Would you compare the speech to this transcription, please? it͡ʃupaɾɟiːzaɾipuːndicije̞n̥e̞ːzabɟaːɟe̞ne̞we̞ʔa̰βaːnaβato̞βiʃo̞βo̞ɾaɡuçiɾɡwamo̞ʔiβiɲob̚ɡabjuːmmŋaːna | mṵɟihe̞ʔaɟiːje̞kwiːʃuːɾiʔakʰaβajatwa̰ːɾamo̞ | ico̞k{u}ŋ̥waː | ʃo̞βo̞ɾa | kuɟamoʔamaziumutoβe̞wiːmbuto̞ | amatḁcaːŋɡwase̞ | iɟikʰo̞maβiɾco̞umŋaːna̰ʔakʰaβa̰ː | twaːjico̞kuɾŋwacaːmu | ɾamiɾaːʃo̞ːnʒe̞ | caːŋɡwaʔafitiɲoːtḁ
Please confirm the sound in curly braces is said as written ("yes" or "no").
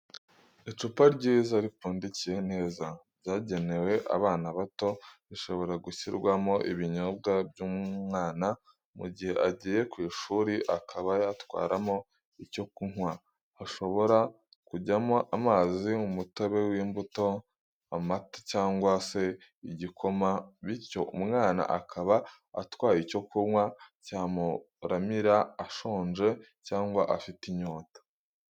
yes